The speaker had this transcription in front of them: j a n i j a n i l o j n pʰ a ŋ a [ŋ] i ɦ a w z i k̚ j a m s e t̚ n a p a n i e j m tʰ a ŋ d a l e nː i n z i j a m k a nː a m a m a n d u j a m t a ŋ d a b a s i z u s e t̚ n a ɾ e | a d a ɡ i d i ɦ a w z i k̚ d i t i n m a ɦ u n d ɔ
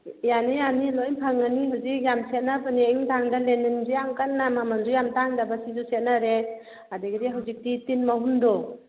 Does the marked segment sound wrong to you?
yes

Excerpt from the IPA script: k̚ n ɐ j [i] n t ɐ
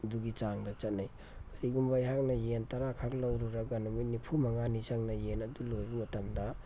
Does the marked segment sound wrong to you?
yes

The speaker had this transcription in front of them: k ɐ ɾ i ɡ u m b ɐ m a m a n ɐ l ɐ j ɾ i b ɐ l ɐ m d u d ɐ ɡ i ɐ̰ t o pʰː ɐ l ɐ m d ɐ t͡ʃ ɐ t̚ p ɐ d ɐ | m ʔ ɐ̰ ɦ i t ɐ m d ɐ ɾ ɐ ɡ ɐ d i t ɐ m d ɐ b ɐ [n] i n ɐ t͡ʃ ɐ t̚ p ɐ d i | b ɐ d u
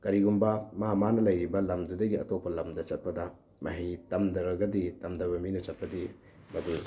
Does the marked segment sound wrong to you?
yes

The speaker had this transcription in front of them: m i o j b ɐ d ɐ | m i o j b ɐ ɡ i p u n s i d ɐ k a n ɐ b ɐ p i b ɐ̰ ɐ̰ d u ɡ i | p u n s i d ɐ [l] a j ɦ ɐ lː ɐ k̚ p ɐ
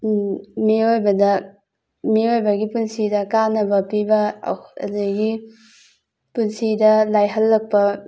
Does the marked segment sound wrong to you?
no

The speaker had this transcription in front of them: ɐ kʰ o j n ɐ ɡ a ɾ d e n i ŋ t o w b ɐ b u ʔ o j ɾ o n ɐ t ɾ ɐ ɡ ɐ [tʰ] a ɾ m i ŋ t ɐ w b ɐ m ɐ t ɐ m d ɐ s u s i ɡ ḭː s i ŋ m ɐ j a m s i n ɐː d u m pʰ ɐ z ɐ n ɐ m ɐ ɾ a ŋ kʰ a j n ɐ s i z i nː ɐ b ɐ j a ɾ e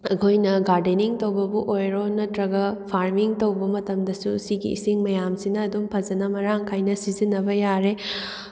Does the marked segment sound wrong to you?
yes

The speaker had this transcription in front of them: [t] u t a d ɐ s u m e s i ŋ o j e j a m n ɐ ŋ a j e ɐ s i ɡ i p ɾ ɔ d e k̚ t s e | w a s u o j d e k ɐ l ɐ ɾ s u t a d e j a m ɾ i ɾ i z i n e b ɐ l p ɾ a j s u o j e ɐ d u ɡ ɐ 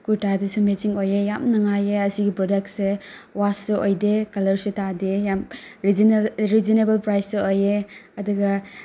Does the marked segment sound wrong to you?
yes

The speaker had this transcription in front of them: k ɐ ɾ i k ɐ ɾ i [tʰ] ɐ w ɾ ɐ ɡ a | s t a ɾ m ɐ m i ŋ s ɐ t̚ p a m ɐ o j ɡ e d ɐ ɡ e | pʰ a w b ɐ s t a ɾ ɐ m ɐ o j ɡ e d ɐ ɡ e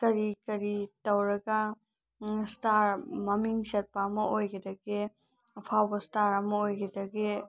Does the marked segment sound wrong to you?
yes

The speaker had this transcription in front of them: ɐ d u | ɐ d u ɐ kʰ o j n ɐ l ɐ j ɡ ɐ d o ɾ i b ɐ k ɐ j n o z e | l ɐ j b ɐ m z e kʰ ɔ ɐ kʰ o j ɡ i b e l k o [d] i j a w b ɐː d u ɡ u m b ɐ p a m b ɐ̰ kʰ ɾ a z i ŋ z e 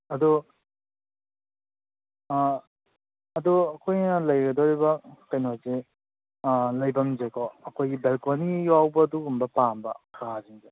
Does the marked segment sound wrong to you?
yes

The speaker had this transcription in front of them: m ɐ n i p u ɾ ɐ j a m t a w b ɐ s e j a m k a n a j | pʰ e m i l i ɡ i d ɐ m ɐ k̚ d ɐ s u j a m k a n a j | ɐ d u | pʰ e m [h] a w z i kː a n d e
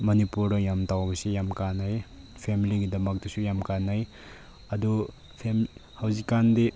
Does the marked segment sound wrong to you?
no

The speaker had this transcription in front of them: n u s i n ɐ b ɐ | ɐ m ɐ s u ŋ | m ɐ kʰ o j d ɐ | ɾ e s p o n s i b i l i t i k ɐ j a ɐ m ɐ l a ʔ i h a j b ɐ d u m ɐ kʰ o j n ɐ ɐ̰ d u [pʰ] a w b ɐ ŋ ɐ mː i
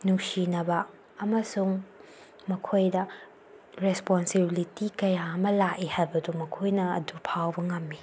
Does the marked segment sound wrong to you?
no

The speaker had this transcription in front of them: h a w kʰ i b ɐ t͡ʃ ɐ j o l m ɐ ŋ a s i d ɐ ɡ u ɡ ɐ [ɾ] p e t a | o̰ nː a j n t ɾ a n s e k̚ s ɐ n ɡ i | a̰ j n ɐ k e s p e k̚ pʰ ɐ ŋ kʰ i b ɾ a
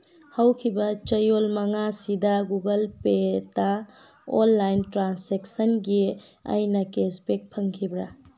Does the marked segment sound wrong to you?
yes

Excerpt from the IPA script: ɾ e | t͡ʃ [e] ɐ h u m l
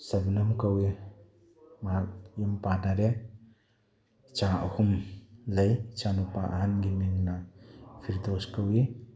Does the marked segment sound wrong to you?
yes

